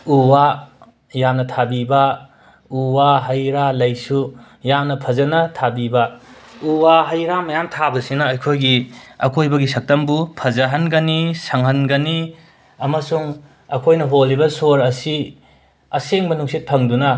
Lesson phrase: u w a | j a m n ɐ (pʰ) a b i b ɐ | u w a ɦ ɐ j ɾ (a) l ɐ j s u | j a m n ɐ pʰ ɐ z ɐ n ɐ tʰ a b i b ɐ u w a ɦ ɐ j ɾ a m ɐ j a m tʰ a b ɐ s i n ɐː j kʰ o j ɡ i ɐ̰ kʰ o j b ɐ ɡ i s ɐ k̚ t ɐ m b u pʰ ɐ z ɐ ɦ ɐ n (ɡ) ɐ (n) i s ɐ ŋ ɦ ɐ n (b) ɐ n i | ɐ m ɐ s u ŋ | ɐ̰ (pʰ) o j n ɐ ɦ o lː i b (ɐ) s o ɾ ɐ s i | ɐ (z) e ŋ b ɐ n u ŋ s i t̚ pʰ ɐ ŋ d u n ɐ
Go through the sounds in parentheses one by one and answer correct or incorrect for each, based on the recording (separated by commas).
incorrect, correct, correct, correct, incorrect, incorrect, correct, incorrect